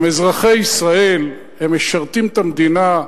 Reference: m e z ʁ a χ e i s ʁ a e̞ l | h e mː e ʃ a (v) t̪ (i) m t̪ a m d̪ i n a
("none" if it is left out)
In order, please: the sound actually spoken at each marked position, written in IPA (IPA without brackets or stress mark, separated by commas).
ʁ, i